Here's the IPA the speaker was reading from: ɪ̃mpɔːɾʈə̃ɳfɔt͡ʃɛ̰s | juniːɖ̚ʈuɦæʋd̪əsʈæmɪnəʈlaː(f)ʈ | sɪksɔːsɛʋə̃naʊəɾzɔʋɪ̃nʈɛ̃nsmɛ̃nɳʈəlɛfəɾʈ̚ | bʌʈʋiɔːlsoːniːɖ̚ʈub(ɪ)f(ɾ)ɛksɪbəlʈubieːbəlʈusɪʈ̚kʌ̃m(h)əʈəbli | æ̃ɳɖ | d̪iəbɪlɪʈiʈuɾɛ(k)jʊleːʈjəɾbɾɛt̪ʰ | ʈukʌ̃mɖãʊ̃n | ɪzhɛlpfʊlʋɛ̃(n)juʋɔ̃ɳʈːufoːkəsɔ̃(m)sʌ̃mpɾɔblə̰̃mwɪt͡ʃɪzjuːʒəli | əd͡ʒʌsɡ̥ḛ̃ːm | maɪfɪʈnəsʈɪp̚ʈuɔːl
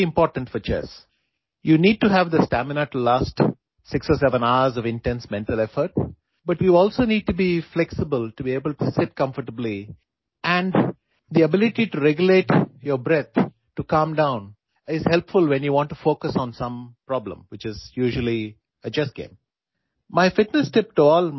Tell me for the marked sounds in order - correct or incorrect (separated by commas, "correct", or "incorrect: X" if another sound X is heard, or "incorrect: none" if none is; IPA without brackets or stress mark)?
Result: incorrect: s, incorrect: i, incorrect: l, incorrect: f, incorrect: ɡ, correct, incorrect: n